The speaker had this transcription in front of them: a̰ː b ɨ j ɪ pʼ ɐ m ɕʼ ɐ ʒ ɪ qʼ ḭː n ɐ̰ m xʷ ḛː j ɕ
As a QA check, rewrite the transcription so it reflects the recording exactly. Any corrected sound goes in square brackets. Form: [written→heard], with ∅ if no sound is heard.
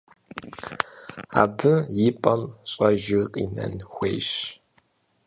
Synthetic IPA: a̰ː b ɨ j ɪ pʼ ɐ m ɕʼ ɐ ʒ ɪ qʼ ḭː n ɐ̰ [m→n] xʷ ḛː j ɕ